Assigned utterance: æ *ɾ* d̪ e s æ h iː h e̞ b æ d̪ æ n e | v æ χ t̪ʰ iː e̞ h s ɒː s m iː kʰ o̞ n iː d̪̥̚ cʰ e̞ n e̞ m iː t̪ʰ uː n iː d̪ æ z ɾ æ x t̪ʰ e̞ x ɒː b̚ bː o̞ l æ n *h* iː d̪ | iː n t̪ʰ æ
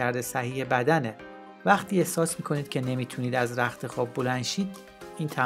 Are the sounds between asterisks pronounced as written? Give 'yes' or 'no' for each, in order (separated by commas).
yes, no